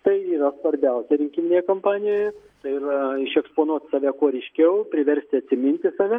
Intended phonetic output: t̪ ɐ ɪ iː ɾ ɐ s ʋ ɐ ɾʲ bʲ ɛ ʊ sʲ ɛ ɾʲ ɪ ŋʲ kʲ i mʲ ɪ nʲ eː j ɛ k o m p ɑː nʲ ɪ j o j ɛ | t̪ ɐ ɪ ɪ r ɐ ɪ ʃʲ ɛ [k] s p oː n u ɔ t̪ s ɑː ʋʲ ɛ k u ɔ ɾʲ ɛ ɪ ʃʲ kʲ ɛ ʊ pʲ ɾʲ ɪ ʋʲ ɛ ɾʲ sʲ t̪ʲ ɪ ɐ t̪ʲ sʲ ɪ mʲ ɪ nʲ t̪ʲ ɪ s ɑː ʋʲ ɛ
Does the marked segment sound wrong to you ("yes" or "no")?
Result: no